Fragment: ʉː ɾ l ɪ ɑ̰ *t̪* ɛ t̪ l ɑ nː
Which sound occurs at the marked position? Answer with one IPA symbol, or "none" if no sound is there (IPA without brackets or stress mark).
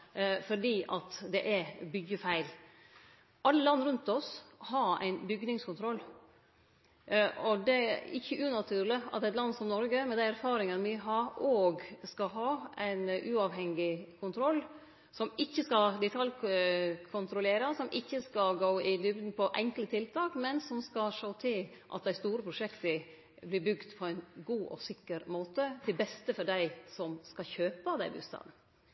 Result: t̪